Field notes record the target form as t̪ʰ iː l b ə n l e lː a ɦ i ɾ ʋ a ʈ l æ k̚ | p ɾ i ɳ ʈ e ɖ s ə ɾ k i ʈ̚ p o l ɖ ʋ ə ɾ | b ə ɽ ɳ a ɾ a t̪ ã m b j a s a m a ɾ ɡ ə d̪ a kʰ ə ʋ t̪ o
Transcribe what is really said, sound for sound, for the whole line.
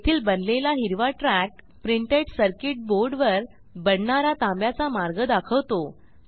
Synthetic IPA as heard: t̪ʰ iː l b ə n l e l a ɦ i ɾ ʋ a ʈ ɾ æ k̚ | p ɾ i ɳ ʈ e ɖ s ə ɾ k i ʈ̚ b o ɾ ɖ ʋ ə ɾ | b ə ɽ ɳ a ɾ a t̪ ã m b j a t͡s a m a ɾ ɡ ə d̪ a kʰ ə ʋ t̪ o

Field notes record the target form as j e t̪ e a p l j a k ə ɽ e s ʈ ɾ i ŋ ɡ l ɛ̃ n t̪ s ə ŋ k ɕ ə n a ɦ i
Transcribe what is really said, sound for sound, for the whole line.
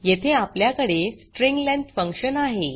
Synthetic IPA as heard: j e t̪ʰ e a p l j a k ə ɽ e s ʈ ɾ i ŋ ɡ l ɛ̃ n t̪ f ə ŋ k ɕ ə n a ɦ e

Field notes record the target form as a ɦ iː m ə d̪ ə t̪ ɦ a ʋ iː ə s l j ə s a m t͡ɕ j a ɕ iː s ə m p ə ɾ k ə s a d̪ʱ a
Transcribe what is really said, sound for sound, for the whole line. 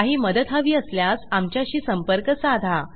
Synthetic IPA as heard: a ɦ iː m ə d̪ ə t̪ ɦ a ʋ iː ə s l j a s a m t͡ɕ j a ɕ iː s ə m p ə ɾ k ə s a d̪ʱ a

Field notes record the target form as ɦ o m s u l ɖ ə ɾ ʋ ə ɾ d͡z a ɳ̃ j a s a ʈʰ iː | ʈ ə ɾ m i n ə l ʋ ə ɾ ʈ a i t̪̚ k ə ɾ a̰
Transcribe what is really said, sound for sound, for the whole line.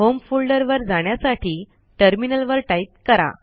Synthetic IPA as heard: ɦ o m f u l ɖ ə ɾ ʋ ə ɾ d͡z a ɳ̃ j a s a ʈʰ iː | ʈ ə ɾ m i n ə l ʋ ə ɾ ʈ a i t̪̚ k ə ɾ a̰

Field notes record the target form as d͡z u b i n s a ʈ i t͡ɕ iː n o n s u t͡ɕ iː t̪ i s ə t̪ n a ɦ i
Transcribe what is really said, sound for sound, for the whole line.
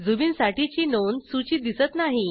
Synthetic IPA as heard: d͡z u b i n s a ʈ i t͡ɕ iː n o n s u t͡ɕ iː d̪ i s ə t̪ n a ɦ i

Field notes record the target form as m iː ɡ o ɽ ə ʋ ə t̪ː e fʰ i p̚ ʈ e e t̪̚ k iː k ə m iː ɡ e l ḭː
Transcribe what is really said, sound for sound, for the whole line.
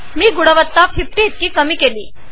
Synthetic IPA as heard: m iː ɡ u ɽ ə ʋ ə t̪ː a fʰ i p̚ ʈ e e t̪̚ k iː k ə m iː k e l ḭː

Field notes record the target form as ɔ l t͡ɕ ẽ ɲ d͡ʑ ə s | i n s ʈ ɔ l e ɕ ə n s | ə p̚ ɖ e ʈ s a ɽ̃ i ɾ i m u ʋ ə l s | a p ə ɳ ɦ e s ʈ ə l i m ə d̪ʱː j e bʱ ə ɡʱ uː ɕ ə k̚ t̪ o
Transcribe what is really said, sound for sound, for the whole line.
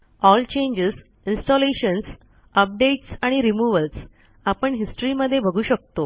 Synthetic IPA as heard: ɔ l t͡ɕ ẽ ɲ d͡ʑ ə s | i n s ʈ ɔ l e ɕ ə n s | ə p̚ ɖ e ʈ s a ɽ̃ i ɾ i m u ʋ ə l s | a p ə ɳ ɦ i s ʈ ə ɾ i m ə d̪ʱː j e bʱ ə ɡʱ uː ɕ ə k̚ t̪ o

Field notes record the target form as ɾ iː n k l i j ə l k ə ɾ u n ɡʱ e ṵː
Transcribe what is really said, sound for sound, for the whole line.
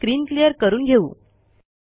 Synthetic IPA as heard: ɾ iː n k l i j ə ɾ k ə ɾ uː n ɡʱ e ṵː

